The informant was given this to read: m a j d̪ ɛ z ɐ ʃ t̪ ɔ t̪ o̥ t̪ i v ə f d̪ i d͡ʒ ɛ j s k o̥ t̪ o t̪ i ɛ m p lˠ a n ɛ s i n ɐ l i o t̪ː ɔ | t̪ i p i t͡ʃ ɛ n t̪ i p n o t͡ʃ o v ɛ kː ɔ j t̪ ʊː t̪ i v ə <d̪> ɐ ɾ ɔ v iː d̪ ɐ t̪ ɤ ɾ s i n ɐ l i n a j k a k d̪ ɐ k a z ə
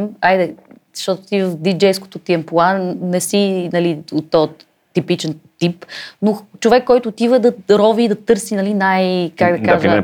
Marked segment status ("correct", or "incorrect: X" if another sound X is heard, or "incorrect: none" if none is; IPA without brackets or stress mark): correct